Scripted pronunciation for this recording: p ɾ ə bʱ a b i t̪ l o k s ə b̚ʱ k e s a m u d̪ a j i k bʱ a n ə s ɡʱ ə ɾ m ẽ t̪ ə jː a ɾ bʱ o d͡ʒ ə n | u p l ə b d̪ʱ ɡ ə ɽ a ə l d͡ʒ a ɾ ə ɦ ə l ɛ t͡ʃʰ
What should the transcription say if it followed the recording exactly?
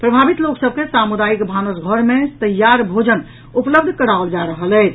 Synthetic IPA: p ɾ ə bʱ a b i t̪ l o k s ə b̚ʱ k e s a m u d̪ a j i k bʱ a n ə s ɡʱ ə ɾ m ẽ t̪ ə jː a ɾ bʱ o d͡ʒ ə n | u p l ə b d̪ʱ k ə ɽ a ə l d͡ʒ a ɾ ə ɦ ə l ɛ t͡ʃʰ